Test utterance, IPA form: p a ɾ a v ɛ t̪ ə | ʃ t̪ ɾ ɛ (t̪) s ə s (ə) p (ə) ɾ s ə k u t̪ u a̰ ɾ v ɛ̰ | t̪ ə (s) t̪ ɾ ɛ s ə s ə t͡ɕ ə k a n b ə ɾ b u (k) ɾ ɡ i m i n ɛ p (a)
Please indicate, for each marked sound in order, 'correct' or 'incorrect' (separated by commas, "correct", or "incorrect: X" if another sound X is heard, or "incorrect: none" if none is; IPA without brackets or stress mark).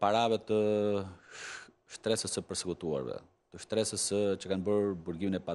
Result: incorrect: none, correct, correct, incorrect: ʃ, incorrect: none, correct